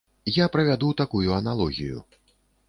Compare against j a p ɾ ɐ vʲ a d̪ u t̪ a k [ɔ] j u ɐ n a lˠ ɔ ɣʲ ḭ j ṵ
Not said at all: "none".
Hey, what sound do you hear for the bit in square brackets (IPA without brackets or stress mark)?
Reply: u